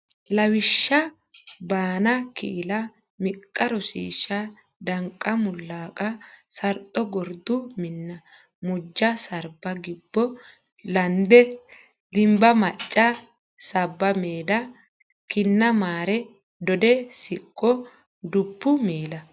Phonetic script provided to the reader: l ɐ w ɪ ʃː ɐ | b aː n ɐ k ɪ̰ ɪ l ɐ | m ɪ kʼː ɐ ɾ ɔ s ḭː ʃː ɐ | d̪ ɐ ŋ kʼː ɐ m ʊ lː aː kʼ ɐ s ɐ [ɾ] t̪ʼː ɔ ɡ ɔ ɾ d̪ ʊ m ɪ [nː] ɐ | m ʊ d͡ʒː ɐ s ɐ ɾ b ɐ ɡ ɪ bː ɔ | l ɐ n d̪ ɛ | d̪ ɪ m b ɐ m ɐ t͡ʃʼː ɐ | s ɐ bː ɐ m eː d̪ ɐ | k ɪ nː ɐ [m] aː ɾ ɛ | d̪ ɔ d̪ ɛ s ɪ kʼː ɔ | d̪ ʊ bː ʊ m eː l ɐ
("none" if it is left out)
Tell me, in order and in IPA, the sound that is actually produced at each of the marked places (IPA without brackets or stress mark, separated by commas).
ɾ, nː, m